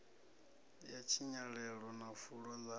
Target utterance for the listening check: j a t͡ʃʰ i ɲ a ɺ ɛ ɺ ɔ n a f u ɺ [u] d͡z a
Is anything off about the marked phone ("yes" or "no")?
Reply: yes